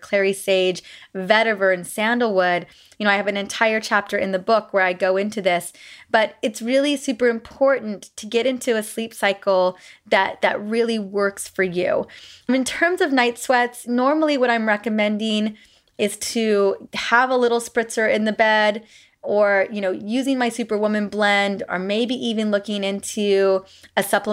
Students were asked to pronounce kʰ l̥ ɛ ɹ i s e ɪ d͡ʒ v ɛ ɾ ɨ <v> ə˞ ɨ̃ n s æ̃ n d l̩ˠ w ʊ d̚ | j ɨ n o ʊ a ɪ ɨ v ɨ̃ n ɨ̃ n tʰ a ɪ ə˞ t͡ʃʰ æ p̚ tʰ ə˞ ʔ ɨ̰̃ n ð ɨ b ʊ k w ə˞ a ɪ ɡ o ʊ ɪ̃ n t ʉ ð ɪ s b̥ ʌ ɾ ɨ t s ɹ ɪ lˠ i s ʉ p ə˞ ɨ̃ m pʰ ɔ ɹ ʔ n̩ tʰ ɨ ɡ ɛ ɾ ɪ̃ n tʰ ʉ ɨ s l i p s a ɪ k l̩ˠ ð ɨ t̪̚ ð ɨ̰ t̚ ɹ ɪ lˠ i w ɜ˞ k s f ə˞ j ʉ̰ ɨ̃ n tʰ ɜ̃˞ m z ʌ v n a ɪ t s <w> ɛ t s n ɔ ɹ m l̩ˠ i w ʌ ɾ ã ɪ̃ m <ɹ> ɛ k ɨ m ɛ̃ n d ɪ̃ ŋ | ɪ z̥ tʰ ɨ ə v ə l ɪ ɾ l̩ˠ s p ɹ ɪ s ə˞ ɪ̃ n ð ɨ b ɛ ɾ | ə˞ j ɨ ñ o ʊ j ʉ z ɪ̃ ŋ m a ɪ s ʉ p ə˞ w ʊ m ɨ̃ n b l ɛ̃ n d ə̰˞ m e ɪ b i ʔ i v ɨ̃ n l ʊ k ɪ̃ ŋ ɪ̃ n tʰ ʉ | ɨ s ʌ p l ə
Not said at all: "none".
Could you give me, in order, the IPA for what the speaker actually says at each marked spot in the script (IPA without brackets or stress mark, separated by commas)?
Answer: v, w, ɹ